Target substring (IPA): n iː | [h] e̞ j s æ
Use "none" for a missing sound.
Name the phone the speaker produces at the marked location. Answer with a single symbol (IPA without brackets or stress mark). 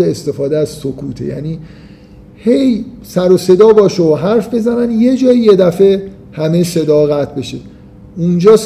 h